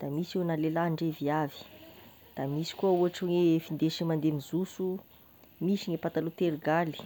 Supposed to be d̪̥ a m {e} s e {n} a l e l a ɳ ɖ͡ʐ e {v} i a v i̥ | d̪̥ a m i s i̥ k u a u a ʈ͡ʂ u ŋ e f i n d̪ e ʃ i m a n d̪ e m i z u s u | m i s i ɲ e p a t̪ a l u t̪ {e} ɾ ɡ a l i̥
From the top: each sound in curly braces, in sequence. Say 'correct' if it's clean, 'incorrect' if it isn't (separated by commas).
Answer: incorrect, correct, correct, correct